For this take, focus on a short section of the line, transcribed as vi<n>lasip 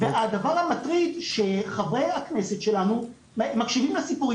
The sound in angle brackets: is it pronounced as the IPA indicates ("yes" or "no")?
no